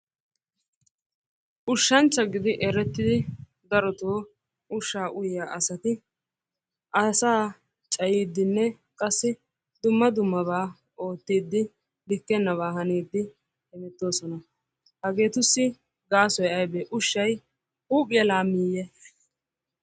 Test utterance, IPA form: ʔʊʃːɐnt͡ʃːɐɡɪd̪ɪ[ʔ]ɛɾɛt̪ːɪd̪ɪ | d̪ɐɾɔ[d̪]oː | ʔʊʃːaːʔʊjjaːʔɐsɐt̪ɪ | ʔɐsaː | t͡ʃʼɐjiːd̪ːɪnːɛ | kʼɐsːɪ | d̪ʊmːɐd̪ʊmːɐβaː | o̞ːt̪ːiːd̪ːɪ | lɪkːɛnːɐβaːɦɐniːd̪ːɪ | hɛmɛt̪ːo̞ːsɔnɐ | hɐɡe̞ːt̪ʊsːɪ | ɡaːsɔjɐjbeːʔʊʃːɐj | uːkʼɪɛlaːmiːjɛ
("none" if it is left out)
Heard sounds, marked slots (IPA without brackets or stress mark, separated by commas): ʔ, t̪